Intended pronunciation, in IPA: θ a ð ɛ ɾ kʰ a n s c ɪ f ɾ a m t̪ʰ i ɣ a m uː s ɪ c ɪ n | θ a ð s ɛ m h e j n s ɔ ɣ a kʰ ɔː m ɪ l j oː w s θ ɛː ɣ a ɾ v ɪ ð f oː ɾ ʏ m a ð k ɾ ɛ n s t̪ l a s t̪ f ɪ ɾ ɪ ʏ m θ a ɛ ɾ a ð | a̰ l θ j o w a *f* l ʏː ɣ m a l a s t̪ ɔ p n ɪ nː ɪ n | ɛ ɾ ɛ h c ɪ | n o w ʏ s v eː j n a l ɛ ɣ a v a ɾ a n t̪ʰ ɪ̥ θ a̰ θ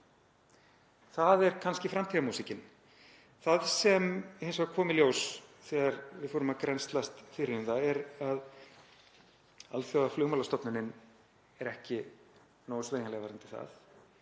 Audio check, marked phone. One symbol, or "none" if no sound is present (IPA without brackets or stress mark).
f